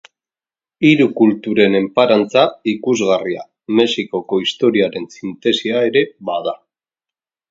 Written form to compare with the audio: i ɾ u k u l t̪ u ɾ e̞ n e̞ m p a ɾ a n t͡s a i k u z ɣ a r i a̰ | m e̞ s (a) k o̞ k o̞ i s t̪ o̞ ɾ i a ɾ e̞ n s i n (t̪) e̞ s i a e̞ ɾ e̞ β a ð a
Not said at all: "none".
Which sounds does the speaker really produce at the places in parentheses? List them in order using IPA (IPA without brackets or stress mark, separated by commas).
i, t̪